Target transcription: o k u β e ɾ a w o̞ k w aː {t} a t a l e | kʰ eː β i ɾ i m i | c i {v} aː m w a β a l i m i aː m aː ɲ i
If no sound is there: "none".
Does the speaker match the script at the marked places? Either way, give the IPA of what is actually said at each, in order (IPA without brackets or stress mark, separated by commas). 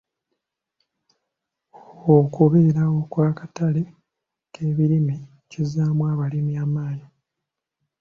k, z